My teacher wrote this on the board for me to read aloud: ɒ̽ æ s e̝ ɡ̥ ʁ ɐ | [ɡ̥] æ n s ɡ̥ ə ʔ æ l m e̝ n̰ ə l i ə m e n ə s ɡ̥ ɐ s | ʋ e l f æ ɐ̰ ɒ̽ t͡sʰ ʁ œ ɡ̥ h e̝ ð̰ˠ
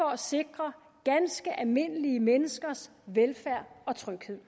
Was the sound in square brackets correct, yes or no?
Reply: yes